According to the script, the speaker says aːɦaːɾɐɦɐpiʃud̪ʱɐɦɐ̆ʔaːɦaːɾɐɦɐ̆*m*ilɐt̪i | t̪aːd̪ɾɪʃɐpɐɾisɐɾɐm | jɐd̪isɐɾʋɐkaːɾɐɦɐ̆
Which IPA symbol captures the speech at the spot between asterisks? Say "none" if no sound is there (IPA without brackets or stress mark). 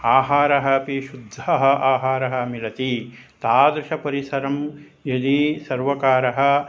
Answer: m